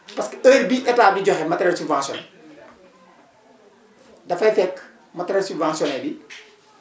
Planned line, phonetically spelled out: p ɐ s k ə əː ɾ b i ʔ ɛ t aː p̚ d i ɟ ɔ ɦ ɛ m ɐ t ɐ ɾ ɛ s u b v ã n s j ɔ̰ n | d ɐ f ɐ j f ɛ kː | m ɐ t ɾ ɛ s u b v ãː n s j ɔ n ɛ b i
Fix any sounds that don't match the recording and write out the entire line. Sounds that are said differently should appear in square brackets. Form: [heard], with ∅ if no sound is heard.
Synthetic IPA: p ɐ s k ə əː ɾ b i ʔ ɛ t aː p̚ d i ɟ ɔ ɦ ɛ m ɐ t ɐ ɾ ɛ s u b v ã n s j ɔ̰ n | d ɐ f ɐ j f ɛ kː | m ɐ t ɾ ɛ s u b v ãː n s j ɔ n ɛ b i